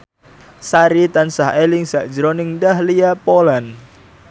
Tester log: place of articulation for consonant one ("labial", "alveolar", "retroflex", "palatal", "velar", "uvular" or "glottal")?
alveolar